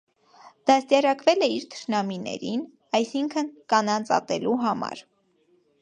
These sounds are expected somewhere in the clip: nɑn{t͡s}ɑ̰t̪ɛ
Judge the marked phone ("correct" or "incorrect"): correct